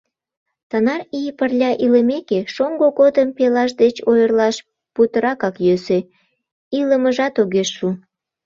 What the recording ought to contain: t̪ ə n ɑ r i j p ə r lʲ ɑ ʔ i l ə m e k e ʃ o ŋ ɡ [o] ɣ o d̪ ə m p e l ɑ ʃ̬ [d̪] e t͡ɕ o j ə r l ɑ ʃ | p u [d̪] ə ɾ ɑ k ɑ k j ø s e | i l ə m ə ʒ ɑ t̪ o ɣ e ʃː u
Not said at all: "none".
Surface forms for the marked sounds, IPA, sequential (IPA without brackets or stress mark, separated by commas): o, d̪, t̪